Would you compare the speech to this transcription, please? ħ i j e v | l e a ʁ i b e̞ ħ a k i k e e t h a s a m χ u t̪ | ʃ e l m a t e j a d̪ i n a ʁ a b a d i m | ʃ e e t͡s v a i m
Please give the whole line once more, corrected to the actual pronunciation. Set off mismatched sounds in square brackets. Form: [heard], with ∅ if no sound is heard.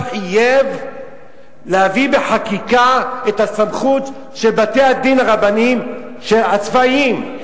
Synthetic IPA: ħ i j e v | l e a [v] i b e̞ ħ a k i k [a] e t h a s a m χ u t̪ | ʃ e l [b] a t e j a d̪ i n a ʁ a b a [n] i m | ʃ e [a] t͡s v a i m